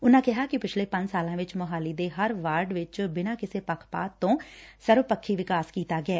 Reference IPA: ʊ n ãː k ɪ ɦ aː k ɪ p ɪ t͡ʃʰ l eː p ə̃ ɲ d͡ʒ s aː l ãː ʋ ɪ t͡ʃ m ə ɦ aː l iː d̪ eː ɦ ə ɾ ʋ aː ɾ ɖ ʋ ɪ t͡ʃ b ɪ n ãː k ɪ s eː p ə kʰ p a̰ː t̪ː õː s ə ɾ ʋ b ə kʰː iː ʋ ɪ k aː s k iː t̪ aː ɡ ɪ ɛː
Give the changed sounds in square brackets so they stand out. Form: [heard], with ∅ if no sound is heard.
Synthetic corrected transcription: ʊ n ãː k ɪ ɦ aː k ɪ p ɪ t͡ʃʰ l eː p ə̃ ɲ d͡ʒ s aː l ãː ʋ ɪ t͡ʃ m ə ɦ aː l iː d̪ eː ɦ ə ɾ ʋ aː ɾ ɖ ʋ ɪ t͡ʃ b ɪ n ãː k ɪ s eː p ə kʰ p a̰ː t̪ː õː s ə ɾ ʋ [p] ə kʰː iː ʋ ɪ k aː s k iː t̪ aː ɡ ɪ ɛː